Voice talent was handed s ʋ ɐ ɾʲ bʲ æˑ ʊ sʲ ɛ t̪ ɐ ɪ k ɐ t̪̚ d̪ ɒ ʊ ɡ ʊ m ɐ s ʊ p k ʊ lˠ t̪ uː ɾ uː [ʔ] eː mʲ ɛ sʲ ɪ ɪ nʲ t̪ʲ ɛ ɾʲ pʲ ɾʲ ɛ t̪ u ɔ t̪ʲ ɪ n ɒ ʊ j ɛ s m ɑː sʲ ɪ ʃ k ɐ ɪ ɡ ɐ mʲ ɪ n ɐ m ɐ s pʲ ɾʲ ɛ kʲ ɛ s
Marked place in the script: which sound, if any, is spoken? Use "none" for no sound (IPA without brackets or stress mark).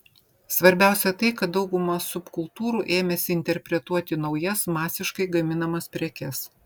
ʔ